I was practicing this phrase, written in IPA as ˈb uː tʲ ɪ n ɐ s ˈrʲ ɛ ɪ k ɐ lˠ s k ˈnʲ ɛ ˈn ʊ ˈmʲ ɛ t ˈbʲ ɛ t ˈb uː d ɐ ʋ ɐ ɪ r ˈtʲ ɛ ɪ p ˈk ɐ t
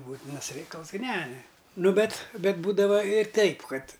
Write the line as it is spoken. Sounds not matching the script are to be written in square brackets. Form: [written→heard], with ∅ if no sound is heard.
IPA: ˈb uː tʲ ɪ n ɐ s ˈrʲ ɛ ɪ k ɐ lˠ s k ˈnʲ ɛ ˈn ʊ [ˈmʲ→ˈbʲ] ɛ t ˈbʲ ɛ t ˈb uː d ɐ ʋ ɐ ɪ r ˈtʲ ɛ ɪ p ˈk ɐ t